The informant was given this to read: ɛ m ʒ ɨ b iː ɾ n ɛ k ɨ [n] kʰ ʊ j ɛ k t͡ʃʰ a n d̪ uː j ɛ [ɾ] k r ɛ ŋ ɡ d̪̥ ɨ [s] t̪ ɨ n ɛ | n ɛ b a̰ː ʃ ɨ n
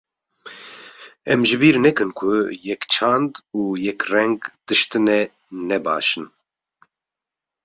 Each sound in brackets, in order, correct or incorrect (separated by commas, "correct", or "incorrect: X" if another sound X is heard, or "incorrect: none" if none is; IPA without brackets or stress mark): correct, incorrect: none, incorrect: ʃ